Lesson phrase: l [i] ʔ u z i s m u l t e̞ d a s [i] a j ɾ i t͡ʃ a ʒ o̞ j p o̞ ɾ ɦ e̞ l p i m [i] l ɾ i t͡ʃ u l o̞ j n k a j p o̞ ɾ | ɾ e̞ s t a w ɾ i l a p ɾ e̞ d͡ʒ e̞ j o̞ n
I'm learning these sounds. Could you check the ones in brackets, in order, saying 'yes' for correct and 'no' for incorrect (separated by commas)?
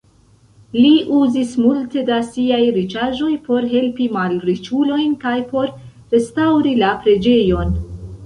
yes, yes, no